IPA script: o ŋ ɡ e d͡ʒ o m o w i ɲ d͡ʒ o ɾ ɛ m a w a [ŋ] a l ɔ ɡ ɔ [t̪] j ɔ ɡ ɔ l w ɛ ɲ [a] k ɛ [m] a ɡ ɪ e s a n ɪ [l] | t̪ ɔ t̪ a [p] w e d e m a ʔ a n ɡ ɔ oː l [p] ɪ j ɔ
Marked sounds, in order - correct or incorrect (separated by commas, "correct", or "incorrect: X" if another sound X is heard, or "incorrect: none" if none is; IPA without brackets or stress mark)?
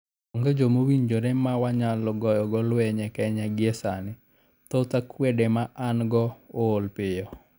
incorrect: ɲ, incorrect: none, incorrect: ɛ, incorrect: ɲ, incorrect: none, incorrect: k, correct